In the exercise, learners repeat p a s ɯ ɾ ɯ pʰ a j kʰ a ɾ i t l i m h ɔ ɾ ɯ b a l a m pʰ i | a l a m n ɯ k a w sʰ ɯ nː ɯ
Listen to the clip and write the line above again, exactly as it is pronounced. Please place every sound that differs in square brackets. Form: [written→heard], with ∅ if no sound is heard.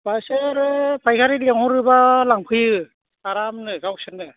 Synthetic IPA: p a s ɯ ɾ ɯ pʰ a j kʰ a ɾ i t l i [m→ŋ] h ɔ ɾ ɯ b a l a [m→ŋ] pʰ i | a [l→ɾ] a m n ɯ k a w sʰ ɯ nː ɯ